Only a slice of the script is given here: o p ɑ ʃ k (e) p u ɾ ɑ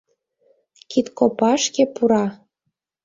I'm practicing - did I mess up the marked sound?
no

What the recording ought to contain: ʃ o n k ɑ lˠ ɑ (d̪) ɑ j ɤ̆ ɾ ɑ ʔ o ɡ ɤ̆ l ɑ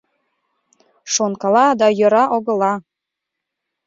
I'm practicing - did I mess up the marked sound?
no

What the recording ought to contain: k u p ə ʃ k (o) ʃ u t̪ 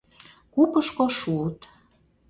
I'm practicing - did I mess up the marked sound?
no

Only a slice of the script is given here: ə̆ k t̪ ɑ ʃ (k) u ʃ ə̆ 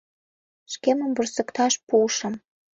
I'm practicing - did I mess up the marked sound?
yes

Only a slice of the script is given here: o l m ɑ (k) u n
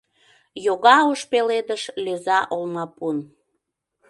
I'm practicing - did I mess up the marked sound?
yes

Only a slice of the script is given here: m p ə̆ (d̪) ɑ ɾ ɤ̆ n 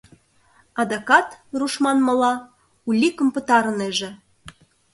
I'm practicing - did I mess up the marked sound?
yes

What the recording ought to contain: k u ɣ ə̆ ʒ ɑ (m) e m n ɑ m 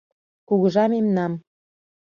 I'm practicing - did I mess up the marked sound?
no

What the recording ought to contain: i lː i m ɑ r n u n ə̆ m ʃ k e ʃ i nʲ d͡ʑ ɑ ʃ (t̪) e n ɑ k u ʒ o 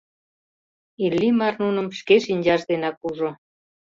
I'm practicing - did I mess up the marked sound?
yes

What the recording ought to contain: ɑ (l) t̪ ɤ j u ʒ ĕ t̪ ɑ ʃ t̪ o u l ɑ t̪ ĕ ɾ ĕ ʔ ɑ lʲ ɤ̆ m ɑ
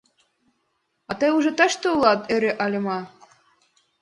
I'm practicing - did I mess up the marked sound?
yes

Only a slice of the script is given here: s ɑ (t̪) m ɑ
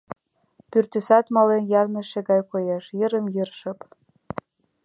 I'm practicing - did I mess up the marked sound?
no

